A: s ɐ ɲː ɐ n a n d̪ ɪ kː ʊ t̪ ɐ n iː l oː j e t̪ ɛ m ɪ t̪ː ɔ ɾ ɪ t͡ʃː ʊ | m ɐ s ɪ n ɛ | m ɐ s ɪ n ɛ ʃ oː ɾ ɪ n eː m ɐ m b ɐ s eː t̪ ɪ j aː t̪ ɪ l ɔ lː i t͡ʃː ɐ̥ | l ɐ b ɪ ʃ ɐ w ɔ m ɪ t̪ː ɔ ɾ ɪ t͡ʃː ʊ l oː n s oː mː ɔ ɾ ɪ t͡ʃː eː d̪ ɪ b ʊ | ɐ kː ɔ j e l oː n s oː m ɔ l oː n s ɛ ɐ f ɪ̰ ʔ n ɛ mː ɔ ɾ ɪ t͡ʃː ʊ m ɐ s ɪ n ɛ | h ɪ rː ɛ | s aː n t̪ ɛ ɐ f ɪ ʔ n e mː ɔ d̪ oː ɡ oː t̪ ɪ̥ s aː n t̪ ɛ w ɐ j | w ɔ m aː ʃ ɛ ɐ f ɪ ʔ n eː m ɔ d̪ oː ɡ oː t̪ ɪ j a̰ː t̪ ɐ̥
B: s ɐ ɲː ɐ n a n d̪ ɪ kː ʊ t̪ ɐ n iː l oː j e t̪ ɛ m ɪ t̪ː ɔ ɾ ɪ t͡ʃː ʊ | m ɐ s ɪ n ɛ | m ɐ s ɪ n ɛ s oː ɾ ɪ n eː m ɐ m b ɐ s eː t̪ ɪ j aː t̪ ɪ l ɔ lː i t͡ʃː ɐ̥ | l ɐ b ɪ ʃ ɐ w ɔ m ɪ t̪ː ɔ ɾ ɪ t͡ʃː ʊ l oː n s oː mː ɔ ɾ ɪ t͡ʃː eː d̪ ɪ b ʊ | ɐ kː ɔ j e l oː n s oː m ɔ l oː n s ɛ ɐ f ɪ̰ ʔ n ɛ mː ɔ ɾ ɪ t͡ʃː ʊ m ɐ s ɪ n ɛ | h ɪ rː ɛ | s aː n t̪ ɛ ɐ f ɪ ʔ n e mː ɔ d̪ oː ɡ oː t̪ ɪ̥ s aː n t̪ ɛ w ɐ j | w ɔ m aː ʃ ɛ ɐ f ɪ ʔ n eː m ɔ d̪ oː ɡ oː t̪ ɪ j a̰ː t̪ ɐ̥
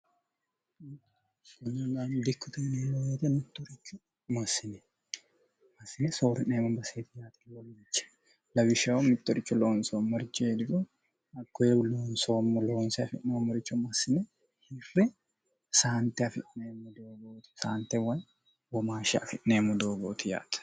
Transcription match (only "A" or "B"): B